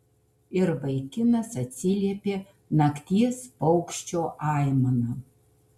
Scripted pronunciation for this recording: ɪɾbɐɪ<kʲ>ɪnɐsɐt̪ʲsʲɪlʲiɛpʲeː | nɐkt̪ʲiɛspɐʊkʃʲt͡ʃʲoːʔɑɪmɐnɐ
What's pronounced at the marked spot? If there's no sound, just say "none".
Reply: kʲ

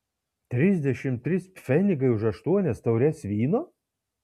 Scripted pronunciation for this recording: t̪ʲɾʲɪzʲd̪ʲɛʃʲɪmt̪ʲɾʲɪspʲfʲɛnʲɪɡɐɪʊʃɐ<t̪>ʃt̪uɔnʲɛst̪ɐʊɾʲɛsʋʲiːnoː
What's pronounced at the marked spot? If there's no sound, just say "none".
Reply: none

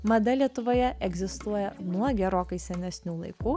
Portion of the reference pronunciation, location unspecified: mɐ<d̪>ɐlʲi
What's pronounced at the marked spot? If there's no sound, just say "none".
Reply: d̪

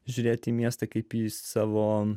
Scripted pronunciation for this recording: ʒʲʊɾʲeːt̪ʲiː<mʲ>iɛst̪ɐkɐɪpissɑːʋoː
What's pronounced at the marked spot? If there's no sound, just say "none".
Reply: mʲ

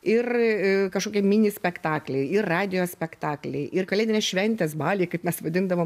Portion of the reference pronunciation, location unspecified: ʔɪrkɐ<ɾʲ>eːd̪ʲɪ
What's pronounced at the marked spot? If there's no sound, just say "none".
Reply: lʲ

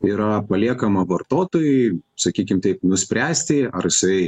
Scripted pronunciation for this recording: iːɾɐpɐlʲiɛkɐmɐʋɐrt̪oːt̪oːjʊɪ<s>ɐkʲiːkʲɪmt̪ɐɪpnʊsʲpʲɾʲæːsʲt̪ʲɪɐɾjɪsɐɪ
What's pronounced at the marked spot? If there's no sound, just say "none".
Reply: s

